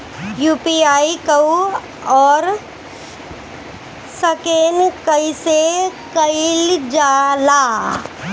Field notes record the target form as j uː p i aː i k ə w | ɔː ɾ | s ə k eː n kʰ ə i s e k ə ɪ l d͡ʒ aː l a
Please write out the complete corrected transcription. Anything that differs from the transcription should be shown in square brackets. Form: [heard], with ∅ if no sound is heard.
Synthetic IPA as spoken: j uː p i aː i k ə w | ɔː ɾ | s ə k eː n [k] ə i s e k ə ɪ l d͡ʒ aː l a